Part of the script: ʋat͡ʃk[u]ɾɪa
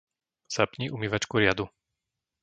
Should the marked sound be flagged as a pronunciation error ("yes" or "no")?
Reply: no